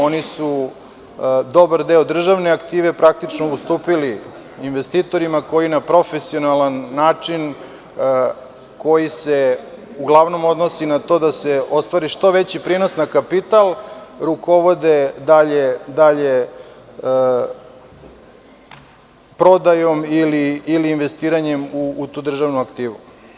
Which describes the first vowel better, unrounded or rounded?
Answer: rounded